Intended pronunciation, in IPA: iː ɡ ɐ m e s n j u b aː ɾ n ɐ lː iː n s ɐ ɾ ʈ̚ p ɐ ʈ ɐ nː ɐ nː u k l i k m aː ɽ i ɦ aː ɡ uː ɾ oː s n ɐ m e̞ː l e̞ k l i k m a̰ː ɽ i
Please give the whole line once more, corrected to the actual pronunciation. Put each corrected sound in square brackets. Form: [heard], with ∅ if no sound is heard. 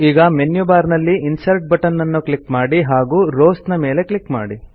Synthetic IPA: iː ɡ ɐ m e [∅] n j u b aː ɾ n ɐ lː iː n s ɐ ɾ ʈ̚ [b] ɐ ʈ ɐ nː ɐ nː u k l i k m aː ɽ i ɦ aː ɡ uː ɾ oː s n ɐ m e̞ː l e̞ k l i k m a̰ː ɽ i

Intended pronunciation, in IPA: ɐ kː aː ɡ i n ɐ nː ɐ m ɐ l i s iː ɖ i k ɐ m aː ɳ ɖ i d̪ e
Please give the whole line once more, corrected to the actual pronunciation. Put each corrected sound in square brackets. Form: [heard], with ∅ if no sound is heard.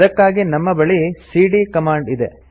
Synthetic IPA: ɐ kː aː ɡ i n ɐ [mː] ɐ [b] ɐ [ɭ] i s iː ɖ i k ɐ m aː ɳ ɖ i d̪ e

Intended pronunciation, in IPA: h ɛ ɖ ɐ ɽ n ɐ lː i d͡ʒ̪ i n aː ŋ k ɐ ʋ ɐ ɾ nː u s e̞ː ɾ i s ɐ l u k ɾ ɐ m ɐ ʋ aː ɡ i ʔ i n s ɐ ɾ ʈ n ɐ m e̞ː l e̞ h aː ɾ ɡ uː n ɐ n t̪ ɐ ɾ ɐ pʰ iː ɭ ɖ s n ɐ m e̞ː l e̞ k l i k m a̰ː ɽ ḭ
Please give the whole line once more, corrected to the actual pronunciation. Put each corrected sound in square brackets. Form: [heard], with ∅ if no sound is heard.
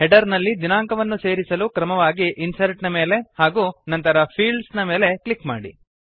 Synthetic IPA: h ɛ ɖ ɐ [ɾ] n ɐ lː i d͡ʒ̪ i n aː ŋ k ɐ ʋ ɐ [∅] nː u s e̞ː ɾ i s ɐ l u k ɾ ɐ m ɐ ʋ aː ɡ i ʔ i n s ɐ ɾ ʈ n ɐ m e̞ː l e̞ h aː [∅] ɡ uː n ɐ n t̪ ɐ ɾ ɐ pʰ iː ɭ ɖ s n ɐ m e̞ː l e̞ k l i k m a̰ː ɽ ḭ

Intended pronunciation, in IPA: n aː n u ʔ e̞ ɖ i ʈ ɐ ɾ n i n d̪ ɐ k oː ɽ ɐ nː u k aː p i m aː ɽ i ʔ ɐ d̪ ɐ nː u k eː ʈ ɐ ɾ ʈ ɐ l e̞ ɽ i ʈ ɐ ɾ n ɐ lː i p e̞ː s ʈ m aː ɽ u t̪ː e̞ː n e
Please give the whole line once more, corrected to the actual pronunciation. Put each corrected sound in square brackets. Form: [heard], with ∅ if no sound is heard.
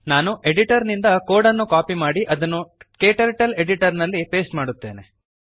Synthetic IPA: n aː n u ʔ e̞ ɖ i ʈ ɐ ɾ n i n d̪ ɐ k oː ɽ ɐ nː u k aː p i m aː ɽ i ʔ ɐ d̪ ɐ nː u k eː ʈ ɐ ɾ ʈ ɐ l e̞ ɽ i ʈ ɐ ɾ n ɐ lː i p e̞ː s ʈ m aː ɽ u t̪ː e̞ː n e

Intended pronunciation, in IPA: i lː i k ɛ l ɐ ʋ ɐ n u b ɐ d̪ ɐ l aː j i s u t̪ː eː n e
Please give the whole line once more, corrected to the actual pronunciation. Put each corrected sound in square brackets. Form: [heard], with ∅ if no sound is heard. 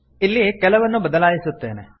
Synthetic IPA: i lː i k ɛ l ɐ ʋ ɐ [nː] u b ɐ d̪ ɐ l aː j i s u t̪ː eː n e

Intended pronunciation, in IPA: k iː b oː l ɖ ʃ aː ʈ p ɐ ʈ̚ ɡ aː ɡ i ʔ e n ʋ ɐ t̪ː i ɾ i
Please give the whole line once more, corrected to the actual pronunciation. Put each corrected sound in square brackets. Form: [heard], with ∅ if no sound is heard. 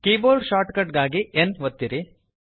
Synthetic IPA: k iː b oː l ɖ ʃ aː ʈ [k] ɐ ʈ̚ ɡ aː ɡ i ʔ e n ʋ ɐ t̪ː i ɾ i

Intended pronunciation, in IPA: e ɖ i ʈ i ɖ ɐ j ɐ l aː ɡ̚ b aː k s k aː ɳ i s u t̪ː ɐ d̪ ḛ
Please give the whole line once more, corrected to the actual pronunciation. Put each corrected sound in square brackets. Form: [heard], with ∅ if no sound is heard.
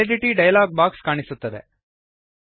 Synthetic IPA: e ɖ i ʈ i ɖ ɐ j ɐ l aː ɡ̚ b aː k s k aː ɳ i s u t̪ː ɐ d̪ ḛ

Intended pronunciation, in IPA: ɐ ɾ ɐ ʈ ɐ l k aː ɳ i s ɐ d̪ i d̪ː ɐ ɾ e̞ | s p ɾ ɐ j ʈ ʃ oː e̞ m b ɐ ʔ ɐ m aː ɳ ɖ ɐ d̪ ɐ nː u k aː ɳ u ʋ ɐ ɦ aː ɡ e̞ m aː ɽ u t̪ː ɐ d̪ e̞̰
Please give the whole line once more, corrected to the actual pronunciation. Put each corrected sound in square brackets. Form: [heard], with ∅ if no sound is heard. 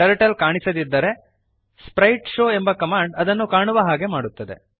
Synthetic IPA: ɐ ɾ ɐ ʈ ɐ l k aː ɳ i s ɐ d̪ i d̪ː ɐ ɾ e̞ | s p ɾ ɐ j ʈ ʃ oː e̞ m b ɐ [k] ɐ m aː ɳ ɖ ɐ d̪ ɐ nː u k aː ɳ u ʋ ɐ ɦ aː ɡ e̞ m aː ɽ u t̪ː ɐ d̪ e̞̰

